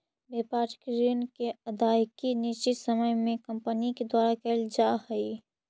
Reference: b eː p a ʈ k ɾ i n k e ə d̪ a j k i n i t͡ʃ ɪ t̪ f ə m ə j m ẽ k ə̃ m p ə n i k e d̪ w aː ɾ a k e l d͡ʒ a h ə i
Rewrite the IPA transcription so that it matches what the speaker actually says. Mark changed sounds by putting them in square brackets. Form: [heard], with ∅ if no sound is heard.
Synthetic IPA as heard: b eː p a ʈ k ɾ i n k e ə d̪ a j k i n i t͡ʃ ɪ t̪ [s] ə m ə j m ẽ k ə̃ m p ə n i k e d̪ w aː ɾ a k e l d͡ʒ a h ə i

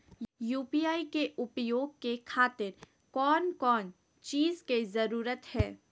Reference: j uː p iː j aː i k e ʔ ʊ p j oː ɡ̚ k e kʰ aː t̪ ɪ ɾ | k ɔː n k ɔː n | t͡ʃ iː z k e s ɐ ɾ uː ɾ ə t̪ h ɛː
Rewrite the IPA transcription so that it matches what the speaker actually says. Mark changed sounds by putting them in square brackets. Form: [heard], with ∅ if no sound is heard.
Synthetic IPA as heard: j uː p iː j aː i k e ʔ ʊ p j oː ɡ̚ k e kʰ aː t̪ ɪ ɾ | k ɔː n k ɔː n | t͡ʃ iː z k e [z] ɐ ɾ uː ɾ ə t̪ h ɛː

